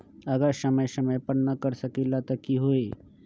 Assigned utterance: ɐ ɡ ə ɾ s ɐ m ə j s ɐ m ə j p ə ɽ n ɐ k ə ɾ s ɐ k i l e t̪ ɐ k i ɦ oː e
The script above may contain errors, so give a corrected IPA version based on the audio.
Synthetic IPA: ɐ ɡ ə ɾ s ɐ m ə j s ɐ m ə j p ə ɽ n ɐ k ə ɾ s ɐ k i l a t̪ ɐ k i ɦ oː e